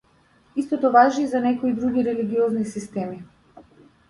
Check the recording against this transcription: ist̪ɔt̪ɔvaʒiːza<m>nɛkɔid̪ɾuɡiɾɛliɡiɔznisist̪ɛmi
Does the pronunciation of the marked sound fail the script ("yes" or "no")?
yes